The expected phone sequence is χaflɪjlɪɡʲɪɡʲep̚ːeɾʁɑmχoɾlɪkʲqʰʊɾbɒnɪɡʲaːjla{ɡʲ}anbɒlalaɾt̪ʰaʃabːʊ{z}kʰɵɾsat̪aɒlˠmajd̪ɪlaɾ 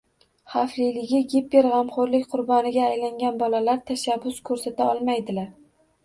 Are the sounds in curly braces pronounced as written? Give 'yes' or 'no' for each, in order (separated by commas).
no, no